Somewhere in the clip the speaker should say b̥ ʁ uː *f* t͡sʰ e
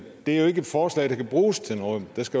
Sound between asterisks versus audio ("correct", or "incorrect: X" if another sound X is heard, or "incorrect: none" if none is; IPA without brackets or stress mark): incorrect: s